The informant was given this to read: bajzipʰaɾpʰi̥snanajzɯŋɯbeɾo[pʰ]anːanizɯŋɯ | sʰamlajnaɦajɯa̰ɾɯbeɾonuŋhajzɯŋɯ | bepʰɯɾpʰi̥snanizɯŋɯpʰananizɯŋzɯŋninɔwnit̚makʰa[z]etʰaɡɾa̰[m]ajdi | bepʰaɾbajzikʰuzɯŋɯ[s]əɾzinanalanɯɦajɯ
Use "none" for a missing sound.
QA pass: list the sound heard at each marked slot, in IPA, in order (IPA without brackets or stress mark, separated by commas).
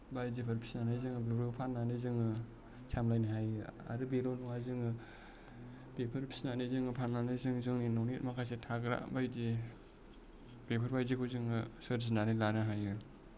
pʰ, s, b, s